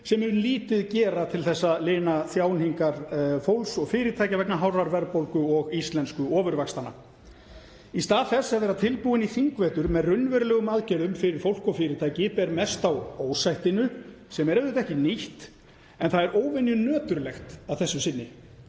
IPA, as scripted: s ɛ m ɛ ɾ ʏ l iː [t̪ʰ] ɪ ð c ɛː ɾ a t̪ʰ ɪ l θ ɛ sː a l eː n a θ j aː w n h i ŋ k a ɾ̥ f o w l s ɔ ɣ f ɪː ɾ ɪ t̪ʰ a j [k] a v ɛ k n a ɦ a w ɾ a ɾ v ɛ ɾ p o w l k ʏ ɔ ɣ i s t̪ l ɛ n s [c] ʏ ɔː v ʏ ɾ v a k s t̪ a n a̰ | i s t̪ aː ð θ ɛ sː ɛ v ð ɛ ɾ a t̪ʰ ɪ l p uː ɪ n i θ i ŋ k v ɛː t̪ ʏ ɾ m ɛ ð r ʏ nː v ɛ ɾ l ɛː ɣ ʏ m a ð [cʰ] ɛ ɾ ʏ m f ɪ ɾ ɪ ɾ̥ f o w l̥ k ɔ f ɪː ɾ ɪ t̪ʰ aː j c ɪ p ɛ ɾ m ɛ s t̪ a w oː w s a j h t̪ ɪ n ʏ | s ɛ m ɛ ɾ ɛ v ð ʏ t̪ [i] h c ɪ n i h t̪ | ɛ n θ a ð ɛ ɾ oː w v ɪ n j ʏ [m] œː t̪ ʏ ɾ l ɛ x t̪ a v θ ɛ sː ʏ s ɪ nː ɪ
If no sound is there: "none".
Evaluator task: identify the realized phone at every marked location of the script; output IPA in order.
t̪, c, k, c, ɛ, n

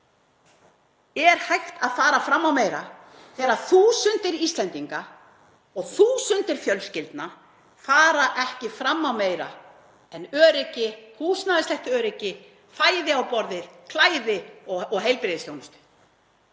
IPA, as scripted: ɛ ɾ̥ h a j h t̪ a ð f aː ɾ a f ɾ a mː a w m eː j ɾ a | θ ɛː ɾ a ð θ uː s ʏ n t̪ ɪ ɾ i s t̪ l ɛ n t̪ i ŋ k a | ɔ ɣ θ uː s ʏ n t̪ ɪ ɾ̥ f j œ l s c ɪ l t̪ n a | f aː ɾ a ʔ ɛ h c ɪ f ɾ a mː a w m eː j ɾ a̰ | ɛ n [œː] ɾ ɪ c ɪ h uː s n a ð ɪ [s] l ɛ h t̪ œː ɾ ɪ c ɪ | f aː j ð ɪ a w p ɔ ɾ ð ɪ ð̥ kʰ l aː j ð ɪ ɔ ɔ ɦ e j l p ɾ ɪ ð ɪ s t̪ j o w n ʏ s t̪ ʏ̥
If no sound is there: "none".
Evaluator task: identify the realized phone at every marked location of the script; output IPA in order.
œː, s

